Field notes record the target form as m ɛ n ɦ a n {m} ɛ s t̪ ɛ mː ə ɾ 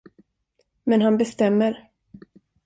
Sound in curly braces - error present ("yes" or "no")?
yes